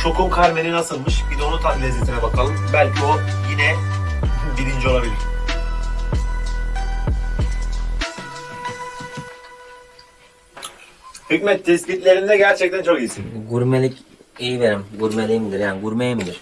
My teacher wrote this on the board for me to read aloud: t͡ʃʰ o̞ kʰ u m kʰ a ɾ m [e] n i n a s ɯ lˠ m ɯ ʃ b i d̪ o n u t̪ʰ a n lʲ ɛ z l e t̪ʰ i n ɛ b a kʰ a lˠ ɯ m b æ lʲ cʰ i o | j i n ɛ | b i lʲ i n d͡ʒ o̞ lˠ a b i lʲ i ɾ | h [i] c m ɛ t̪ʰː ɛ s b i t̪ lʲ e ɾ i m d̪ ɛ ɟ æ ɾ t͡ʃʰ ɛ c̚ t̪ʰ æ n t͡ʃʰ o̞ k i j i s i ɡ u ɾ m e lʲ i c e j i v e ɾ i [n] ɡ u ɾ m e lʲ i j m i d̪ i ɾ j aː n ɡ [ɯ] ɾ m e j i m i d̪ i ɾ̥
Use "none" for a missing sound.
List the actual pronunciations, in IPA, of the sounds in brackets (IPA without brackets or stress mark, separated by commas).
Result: e, y, m, u